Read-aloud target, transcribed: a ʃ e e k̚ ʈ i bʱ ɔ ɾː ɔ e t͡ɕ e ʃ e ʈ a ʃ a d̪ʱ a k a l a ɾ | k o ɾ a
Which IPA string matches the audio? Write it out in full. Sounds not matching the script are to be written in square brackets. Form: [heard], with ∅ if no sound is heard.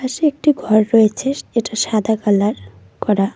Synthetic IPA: a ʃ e e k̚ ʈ i [ɡʱ] ɔ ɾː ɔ e [t͡ɕʰ] e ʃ e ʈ a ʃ a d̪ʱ a k a l a ɾ | k [ɔ] ɾ a